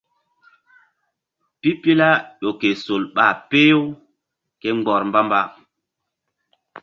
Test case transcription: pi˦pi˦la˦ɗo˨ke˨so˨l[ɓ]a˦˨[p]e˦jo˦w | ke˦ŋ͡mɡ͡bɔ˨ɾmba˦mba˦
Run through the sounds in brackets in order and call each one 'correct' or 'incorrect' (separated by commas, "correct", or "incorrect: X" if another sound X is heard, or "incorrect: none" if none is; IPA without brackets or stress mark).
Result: correct, correct